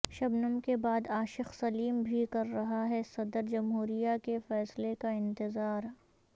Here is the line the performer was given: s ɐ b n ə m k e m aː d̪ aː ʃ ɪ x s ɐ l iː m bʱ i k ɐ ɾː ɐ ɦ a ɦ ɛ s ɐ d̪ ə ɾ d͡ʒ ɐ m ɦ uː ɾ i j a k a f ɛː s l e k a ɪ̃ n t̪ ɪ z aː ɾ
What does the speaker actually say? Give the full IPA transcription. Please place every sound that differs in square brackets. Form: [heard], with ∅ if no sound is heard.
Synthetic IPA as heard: [ʃ] ɐ b n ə m k e [b] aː d̪ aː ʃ ɪ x s ɐ l iː m bʱ i k ɐ ɾː ɐ ɦ a ɦ ɛ s ɐ d̪ ə ɾ d͡ʒ ɐ m ɦ uː ɾ i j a k [e] f ɛː s l e k a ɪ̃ n t̪ ɪ z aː ɾ